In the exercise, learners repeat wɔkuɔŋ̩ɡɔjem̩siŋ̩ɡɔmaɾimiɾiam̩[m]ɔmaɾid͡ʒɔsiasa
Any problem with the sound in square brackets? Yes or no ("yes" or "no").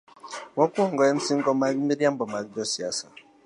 yes